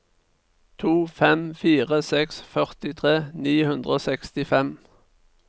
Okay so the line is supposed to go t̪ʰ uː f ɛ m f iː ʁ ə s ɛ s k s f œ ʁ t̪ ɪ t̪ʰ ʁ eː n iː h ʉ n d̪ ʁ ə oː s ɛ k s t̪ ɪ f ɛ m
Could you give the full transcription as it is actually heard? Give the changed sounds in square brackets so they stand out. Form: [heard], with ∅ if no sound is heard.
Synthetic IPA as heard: t̪ʰ uː f ɛ m f iː ʁ ə s ɛ [∅] k s f œ ʁ t̪ ɪ t̪ʰ ʁ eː n iː h ʉ n d̪ ʁ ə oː s ɛ k s t̪ ɪ f ɛ m

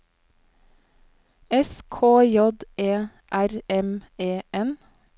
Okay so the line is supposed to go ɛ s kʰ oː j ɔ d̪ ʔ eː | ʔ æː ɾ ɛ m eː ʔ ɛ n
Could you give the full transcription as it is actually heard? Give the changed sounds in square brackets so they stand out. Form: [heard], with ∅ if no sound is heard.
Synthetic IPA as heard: ɛ s kʰ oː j ɔ d̪ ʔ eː | ʔ [æ] ɾ ɛ m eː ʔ ɛ n

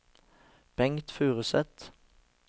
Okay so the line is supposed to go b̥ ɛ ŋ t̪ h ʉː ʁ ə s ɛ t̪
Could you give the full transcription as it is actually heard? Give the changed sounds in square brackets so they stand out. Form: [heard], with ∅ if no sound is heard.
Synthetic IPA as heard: b̥ ɛ ŋ t̪ [f] ʉː ʁ ə s ɛ t̪

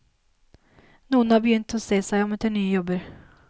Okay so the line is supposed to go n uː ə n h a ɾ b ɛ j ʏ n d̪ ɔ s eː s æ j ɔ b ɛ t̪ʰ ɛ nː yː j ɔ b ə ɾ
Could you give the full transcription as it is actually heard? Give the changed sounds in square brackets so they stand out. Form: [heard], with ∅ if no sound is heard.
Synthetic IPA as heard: n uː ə n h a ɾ b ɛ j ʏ n [t̪] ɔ s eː s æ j ɔ [m] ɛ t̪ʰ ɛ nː yː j ɔ b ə ɾ

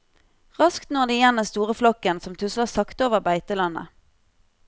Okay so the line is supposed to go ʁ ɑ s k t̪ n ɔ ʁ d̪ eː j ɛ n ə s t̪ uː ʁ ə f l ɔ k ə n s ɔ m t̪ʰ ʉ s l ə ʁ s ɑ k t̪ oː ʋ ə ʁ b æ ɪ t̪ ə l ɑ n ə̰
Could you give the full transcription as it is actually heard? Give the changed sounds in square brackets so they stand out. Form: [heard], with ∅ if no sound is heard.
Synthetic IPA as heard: ʁ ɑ s k t̪ n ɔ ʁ d̪ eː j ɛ n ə s t̪ uː ʁ ə f l ɔ k ə n s ɔ m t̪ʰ ʉ s l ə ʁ s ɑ k t̪ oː ʋ ə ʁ b æ ɪ t̪ ə l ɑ n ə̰

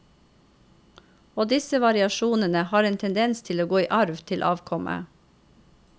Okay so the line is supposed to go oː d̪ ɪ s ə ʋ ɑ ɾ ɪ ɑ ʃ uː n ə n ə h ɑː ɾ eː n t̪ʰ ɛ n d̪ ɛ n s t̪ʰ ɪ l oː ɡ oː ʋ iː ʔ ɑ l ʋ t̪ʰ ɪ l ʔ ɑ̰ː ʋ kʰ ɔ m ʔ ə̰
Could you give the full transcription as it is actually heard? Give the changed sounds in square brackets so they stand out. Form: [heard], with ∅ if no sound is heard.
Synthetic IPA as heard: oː d̪ ɪ s ə ʋ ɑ ɾ ɪ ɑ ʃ uː n ə n ə h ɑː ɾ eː n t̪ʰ ɛ n d̪ ɛ n s t̪ʰ ɪ l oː ɡ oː [∅] iː ʔ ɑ [ɾ] ʋ t̪ʰ ɪ l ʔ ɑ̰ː ʋ kʰ ɔ m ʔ ə̰

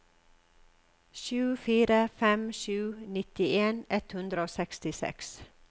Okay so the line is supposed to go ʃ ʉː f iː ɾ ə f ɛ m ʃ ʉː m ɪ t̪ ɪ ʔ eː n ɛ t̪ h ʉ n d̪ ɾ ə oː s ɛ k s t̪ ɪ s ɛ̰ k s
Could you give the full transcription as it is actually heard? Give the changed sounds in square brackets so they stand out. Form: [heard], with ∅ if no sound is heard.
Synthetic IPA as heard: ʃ ʉː f iː ɾ ə f ɛ m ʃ ʉː [n] ɪ t̪ ɪ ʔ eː n ɛ t̪ h ʉ n d̪ ɾ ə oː s ɛ k s t̪ ɪ s ɛ̰ k s

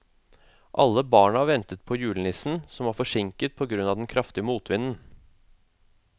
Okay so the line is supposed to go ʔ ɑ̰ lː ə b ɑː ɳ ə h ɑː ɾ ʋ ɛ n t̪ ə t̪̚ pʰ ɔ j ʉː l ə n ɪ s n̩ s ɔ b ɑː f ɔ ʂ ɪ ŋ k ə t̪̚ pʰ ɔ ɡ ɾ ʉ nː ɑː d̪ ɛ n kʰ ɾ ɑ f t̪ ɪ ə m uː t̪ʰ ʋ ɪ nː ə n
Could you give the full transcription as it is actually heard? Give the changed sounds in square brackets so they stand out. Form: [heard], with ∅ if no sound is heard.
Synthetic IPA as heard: ʔ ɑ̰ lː ə b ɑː ɳ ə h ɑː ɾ ʋ ɛ n t̪ ə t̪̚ pʰ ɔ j ʉː l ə n ɪ s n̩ s ɔ [m] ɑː f ɔ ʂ ɪ ŋ k ə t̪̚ pʰ ɔ ɡ ɾ ʉ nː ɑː d̪ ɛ n kʰ ɾ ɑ f t̪ ɪ ə m uː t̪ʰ ʋ ɪ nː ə n

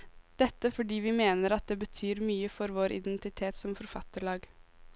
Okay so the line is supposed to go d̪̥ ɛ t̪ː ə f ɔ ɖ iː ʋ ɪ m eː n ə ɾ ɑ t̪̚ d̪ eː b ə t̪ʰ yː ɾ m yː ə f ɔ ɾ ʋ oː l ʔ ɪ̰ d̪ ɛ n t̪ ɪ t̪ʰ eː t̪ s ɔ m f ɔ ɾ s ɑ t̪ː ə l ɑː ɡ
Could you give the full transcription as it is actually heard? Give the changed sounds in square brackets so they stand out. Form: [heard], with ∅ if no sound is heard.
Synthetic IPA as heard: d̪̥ ɛ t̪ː ə f ɔ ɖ iː ʋ ɪ m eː n ə ɾ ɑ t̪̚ d̪ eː b ə t̪ʰ yː ɾ m yː ə f ɔ ɾ ʋ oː [ɾ] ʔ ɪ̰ d̪ ɛ n t̪ ɪ t̪ʰ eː t̪ s ɔ m f ɔ ɾ [f] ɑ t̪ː ə [ɭ] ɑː ɡ

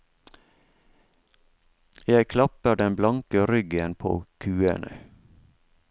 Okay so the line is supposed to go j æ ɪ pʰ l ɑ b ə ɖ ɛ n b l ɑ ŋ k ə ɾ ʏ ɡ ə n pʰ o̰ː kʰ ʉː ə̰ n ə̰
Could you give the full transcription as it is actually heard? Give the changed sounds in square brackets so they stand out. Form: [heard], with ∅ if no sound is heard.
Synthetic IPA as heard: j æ ɪ [kʰ] l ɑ [p] ə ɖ ɛ n b l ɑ ŋ k ə ɾ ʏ ɡ ə n pʰ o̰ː kʰ ʉː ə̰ n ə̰

